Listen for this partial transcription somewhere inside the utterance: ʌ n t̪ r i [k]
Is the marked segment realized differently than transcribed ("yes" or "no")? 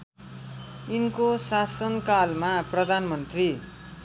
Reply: yes